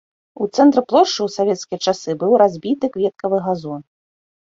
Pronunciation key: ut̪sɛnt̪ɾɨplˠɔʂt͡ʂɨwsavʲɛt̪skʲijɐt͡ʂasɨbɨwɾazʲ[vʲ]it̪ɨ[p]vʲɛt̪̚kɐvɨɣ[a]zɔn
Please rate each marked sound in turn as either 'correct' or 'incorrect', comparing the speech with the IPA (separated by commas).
incorrect, incorrect, correct